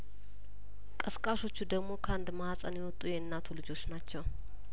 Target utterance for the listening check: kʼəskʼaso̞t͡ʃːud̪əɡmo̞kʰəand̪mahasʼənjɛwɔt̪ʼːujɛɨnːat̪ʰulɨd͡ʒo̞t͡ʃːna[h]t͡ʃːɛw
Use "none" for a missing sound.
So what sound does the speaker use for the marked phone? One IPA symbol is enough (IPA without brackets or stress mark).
none